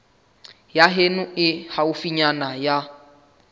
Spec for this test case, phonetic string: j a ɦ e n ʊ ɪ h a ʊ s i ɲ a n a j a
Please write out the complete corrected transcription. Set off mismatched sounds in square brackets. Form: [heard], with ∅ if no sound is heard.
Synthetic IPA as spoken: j a ɦ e n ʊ ɪ h a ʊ [f] i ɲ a n a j a

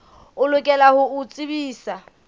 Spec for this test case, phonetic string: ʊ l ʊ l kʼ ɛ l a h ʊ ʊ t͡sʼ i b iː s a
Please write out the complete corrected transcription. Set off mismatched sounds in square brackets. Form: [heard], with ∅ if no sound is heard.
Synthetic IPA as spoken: ʊ l ʊ [∅] kʼ ɛ l a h ʊ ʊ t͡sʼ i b iː s a

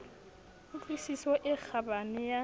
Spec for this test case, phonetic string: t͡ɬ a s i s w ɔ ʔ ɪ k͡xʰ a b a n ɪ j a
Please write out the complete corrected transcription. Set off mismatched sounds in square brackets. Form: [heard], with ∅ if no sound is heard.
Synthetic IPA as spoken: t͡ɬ [i] s i s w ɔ ʔ ɪ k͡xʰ a b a n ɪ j a

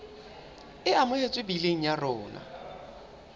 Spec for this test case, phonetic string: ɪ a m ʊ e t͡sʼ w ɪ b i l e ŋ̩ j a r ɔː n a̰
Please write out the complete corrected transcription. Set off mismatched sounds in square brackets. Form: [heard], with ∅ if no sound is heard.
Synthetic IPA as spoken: ɪ a m ʊ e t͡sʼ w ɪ b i l e ŋ̩ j a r ɔː n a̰

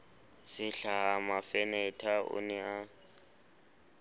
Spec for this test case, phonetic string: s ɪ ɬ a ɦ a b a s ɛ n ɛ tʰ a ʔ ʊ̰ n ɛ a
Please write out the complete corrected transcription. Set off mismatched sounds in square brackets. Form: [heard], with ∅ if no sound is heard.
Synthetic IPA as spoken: s ɪ ɬ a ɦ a [m] a [f] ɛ n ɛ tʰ a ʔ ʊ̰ n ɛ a

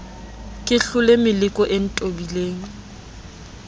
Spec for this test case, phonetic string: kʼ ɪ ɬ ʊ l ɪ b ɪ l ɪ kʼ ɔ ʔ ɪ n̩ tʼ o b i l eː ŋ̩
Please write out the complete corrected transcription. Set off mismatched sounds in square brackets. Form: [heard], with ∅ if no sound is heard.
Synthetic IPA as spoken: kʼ ɪ ɬ ʊ l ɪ [m] ɪ l ɪ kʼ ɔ ʔ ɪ n̩ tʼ o b i l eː ŋ̩

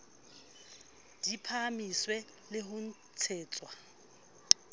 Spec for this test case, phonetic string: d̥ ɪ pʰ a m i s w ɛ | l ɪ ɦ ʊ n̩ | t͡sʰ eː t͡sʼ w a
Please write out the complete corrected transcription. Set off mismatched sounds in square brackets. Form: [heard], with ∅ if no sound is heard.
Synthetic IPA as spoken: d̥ [i] pʰ a m i s w ɛ | l ɪ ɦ ʊ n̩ | t͡sʰ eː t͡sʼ w a

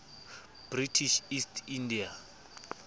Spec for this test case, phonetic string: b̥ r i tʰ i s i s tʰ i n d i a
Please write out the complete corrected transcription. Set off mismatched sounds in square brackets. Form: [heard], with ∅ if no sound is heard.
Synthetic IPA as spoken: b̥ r i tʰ i [ʃ] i s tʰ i n d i a

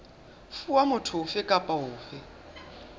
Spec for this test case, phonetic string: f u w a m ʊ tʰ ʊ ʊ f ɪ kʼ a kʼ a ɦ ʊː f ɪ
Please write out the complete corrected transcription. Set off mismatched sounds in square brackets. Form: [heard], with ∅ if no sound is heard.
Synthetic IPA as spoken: f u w a m ʊ tʰ ʊ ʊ f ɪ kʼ a [pʼ] a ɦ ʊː f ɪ

